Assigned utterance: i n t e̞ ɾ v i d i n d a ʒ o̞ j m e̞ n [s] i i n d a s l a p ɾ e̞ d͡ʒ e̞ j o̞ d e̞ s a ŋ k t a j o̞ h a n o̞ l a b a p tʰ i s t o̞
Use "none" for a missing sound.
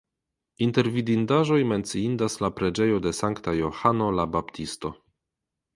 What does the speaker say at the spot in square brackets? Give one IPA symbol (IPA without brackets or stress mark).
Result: t͡s